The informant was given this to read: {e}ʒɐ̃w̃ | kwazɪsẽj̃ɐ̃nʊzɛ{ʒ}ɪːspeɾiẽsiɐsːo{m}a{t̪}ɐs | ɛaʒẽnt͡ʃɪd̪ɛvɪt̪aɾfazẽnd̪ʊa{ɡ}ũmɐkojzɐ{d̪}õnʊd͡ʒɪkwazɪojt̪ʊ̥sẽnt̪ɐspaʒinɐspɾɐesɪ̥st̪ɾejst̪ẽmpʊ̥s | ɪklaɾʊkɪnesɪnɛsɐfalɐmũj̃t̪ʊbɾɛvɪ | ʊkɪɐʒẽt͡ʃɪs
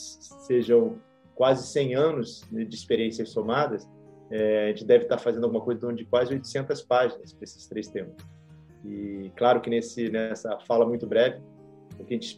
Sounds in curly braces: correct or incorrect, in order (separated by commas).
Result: correct, incorrect, correct, incorrect, correct, correct